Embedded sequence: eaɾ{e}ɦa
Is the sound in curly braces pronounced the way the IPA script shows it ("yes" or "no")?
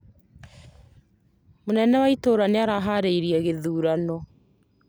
no